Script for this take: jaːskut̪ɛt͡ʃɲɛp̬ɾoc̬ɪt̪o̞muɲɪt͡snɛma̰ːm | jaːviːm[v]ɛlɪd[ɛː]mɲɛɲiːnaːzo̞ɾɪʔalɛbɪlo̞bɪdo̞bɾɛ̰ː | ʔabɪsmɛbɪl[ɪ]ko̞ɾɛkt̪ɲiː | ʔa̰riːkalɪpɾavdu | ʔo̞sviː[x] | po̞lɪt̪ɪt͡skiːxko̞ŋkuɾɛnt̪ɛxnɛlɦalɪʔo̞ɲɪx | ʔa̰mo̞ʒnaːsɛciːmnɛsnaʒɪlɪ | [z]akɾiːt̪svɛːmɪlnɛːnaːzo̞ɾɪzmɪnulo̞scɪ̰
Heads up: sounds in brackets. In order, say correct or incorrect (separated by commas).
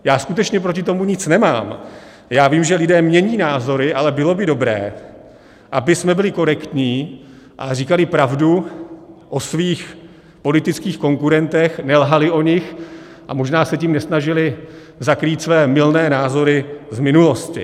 incorrect, correct, correct, correct, correct